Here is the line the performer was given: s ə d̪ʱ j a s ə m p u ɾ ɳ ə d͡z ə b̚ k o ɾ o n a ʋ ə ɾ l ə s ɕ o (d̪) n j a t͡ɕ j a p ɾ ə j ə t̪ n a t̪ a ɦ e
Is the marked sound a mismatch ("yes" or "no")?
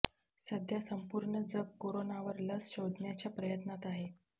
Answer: no